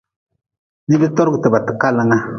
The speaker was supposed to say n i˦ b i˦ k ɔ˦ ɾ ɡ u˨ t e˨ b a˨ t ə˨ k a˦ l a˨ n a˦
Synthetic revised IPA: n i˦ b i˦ t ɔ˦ ɾ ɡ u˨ t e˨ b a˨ t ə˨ k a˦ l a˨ ŋ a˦

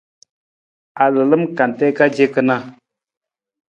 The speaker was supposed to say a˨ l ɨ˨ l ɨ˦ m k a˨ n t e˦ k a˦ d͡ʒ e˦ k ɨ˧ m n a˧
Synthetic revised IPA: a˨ l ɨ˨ l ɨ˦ m k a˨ n t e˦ k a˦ d͡ʒ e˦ k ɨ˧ n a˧

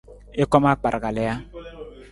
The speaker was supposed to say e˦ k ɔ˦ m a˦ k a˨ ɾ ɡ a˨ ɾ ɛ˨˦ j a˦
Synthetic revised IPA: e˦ k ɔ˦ m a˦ k͡p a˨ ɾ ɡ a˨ l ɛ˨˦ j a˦

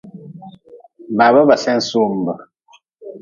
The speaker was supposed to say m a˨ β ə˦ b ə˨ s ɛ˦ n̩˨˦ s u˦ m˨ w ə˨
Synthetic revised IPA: m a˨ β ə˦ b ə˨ s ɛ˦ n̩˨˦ s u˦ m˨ b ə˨

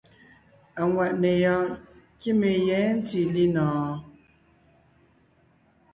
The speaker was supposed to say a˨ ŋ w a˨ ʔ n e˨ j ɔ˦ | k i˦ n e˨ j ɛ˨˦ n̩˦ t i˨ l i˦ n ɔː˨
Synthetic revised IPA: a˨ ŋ w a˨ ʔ n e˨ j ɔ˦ | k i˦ m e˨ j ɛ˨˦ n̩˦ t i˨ l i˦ n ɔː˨

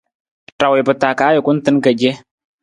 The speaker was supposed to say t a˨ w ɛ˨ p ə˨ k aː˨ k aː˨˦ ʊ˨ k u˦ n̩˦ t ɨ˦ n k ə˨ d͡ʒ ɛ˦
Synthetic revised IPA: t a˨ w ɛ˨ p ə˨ t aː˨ k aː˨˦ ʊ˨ k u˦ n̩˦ t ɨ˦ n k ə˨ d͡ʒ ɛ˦

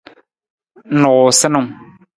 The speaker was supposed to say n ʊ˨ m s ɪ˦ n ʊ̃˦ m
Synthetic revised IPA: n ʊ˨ s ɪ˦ n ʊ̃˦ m

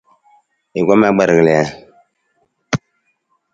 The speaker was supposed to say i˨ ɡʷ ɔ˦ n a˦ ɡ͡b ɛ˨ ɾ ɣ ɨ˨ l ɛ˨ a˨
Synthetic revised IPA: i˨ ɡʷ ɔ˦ m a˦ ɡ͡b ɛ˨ ɾ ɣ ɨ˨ l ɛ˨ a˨

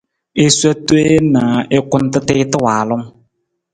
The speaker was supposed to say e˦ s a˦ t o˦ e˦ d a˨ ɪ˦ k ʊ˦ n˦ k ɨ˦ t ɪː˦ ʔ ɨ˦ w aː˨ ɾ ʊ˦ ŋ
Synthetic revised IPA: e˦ s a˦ t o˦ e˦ n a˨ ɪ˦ k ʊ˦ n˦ t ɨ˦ t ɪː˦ t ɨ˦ w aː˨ l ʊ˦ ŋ

